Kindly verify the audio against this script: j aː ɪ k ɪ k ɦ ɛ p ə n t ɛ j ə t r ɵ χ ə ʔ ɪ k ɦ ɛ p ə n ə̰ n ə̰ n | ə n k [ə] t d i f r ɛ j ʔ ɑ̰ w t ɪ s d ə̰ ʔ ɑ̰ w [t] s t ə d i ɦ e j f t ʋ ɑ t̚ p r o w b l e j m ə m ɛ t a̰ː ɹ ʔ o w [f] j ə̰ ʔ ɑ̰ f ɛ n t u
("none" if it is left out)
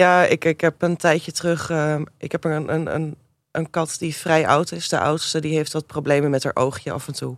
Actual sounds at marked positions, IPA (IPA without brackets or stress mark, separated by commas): ɑ, t, χ